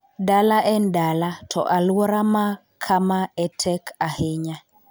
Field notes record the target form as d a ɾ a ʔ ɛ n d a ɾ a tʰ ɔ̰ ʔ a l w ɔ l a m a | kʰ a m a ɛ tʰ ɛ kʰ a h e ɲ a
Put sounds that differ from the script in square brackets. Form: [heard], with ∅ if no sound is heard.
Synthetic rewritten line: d a [l] a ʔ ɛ n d a [l] a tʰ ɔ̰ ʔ a l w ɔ [ɾ] a m a | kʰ a m a ɛ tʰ ɛ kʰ a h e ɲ a